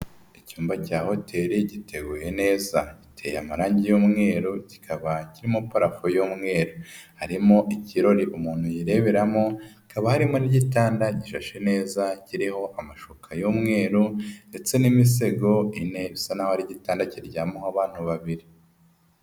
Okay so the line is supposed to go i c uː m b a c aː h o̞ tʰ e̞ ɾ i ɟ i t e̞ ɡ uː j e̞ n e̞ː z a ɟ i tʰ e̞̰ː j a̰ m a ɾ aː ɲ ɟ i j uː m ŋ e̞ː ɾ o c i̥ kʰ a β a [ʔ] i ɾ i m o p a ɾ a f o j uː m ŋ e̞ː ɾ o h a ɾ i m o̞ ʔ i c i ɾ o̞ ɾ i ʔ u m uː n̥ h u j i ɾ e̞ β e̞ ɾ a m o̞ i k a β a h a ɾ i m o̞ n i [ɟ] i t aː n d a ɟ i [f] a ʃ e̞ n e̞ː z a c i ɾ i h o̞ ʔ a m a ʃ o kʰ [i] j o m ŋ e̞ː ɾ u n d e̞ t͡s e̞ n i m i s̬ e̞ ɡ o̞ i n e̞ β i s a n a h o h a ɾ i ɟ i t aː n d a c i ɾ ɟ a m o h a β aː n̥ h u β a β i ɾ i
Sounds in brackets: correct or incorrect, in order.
incorrect: c, correct, incorrect: ʃ, incorrect: a

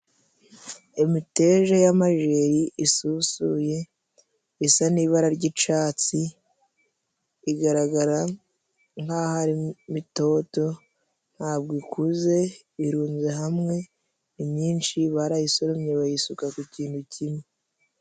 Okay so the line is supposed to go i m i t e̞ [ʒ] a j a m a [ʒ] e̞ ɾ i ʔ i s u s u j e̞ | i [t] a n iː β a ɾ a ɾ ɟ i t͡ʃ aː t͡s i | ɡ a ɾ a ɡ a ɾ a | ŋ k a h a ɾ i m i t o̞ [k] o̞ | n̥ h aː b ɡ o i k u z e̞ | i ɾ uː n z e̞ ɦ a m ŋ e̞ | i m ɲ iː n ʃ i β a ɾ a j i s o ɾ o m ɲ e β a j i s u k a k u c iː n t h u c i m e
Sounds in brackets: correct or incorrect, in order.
correct, correct, incorrect: s, incorrect: t

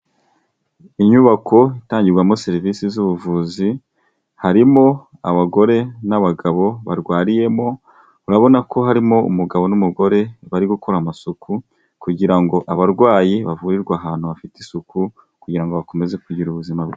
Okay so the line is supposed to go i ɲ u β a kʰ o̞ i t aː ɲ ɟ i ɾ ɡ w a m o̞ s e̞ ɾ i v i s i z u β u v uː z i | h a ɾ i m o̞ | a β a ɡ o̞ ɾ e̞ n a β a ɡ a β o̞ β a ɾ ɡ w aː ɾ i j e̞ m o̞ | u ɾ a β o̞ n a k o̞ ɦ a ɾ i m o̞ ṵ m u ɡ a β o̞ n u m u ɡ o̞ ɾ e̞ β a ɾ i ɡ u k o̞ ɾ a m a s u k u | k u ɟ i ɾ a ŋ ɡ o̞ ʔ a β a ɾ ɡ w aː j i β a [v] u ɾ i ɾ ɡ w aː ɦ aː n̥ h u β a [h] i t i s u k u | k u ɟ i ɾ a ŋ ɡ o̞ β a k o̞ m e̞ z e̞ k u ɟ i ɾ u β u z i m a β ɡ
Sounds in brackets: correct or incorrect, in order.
correct, incorrect: f

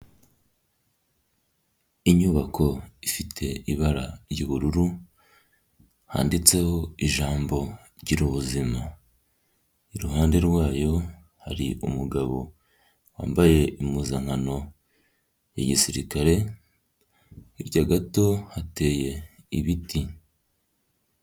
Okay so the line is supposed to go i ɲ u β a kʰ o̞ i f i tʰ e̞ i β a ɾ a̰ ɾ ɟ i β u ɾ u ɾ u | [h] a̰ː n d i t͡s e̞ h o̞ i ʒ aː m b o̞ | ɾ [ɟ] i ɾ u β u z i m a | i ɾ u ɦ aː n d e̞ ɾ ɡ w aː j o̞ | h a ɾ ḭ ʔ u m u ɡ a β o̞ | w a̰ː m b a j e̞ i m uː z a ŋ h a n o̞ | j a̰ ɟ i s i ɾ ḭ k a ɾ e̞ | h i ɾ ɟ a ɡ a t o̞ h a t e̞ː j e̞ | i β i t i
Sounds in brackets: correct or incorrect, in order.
correct, correct

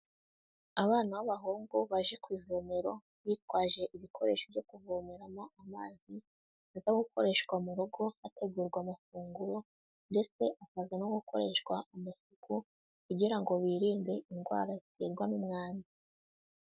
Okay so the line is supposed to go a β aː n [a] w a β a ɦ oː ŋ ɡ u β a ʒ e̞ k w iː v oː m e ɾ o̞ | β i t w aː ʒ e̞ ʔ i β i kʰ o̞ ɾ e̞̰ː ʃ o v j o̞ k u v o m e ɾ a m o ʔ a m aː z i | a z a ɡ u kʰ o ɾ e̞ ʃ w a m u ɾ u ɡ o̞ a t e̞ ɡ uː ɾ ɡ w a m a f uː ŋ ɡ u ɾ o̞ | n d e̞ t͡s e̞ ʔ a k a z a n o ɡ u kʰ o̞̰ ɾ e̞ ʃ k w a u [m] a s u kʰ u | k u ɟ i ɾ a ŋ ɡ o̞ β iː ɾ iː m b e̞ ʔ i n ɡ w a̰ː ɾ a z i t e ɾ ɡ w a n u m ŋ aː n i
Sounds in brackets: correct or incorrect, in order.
correct, correct

